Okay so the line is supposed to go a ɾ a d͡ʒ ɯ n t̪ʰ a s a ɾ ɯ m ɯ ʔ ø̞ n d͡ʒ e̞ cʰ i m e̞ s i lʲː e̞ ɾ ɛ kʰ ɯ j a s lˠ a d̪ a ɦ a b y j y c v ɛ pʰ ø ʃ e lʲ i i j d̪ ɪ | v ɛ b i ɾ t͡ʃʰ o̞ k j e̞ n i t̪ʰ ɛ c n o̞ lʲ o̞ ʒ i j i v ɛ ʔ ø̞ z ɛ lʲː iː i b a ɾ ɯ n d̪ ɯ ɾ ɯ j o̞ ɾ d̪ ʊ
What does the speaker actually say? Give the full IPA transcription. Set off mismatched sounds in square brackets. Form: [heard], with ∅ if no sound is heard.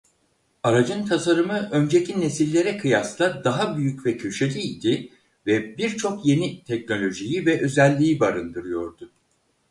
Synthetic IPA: a ɾ a d͡ʒ ɯ n t̪ʰ a s a ɾ ɯ m ɯ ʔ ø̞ n d͡ʒ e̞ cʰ i [n] e̞ s i lʲː e̞ ɾ ɛ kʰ ɯ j a s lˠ a d̪ a ɦ a b y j y c v ɛ [cʰ] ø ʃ e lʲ i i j d̪ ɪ | v ɛ b i ɾ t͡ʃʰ o̞ k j e̞ n i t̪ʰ ɛ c n o̞ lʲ o̞ ʒ i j i v ɛ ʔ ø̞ z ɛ lʲː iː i b a ɾ ɯ n d̪ ɯ ɾ ɯ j o̞ ɾ d̪ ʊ